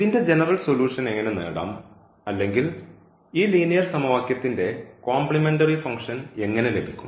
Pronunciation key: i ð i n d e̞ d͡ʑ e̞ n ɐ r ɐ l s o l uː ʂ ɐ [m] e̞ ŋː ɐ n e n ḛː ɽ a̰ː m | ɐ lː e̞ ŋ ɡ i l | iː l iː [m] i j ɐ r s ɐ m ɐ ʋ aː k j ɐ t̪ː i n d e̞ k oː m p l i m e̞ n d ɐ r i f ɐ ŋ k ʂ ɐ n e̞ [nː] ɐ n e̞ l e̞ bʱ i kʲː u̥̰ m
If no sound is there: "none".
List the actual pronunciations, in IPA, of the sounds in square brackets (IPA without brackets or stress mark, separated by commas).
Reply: n, n, ŋː